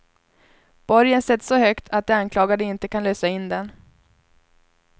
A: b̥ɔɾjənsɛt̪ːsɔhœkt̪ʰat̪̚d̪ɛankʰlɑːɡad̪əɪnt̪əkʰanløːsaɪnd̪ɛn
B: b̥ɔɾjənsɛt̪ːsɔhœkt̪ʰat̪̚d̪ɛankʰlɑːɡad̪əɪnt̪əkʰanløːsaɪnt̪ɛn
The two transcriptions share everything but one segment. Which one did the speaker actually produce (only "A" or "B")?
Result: A